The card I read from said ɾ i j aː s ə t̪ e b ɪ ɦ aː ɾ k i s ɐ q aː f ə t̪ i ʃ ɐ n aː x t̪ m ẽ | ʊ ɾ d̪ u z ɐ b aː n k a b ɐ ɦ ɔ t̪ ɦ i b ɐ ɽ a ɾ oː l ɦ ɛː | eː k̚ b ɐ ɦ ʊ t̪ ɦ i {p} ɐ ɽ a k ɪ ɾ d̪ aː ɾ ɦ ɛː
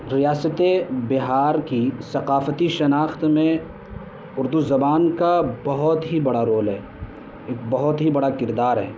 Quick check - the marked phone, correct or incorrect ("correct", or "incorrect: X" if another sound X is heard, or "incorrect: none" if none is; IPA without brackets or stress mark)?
incorrect: b